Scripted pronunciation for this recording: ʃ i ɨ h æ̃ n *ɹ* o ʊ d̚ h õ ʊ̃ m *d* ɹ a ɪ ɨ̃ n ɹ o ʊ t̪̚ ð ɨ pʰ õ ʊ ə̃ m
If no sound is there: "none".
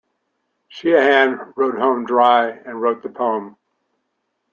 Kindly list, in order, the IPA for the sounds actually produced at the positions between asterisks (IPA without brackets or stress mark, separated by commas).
ɹ, d